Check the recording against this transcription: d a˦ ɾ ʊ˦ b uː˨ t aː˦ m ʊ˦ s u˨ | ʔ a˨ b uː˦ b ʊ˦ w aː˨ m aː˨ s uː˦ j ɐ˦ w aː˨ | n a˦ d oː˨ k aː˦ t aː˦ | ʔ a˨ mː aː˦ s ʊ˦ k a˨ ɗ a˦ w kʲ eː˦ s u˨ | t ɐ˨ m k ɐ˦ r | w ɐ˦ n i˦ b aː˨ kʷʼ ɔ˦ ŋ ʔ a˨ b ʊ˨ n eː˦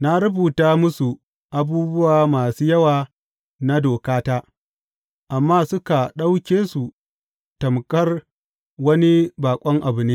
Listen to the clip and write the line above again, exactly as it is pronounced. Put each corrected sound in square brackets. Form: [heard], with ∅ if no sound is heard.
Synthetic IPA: [n] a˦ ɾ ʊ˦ b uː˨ t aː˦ m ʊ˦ s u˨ | ʔ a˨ b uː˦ b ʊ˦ w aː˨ m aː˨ s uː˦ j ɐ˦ w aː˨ | n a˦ d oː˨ k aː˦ t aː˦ | ʔ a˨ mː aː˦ s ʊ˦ k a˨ ɗ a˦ w kʲ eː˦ s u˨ | t ɐ˨ m k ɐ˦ r | w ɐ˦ n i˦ b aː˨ kʷʼ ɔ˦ ŋ ʔ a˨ b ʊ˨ n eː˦